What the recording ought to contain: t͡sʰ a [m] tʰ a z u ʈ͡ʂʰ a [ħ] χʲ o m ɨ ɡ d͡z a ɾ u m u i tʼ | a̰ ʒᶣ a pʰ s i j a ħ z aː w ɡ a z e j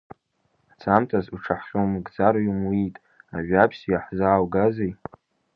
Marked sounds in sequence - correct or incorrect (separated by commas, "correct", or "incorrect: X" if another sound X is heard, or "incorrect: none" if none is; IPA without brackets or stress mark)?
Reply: correct, correct